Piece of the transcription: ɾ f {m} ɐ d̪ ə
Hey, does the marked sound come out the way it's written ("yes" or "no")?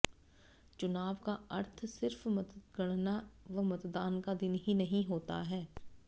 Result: yes